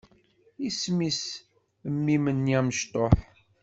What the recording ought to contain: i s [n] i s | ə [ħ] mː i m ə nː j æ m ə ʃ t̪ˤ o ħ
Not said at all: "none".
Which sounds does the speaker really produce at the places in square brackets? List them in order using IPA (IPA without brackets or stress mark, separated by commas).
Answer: m, none